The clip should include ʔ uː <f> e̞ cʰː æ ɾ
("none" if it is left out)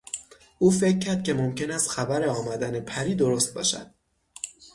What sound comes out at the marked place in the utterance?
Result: f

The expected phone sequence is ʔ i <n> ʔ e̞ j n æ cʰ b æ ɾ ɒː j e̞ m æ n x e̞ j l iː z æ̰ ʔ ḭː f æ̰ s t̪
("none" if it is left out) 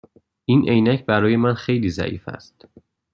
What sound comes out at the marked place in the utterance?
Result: n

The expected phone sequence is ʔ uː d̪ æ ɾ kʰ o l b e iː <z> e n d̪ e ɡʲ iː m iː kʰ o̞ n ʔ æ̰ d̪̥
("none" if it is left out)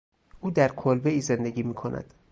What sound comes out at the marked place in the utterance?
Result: z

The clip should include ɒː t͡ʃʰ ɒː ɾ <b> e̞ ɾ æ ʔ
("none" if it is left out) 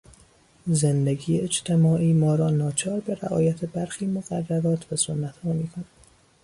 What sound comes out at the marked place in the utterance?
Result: b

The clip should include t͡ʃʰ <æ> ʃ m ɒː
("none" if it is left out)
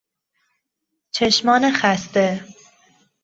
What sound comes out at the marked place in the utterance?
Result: e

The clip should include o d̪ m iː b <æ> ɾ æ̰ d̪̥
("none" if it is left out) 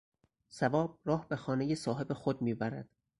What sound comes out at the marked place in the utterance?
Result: æ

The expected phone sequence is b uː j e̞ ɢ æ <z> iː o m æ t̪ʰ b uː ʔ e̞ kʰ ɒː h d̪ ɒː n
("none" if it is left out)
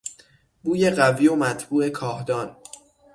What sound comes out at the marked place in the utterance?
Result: v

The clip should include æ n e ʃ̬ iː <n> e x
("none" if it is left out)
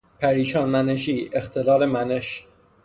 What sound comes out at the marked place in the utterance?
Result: none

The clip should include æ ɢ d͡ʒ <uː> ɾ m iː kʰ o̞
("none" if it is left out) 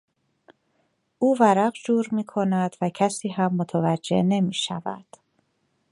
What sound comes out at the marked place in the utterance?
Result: uː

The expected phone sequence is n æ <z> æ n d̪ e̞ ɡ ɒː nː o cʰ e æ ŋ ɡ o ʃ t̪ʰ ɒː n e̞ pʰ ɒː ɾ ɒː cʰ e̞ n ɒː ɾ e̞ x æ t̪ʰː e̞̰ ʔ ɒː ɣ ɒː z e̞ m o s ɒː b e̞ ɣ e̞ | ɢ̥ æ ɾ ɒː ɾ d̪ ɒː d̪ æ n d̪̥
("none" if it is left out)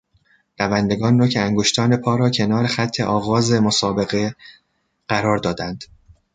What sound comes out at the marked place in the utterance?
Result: v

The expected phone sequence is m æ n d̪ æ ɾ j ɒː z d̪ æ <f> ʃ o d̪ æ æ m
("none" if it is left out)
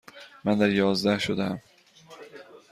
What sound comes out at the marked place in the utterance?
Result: h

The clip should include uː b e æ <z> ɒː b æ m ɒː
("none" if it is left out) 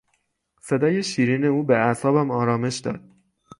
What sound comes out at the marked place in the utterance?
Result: s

